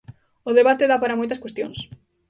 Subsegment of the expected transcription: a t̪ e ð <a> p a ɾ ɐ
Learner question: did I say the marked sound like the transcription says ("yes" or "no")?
yes